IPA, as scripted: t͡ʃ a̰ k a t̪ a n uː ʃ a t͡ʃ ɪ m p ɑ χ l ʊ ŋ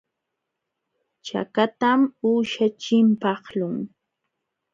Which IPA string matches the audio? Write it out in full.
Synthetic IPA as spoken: t͡ʃ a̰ k a t̪ a m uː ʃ a t͡ʃ ɪ m p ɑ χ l ʊ ŋ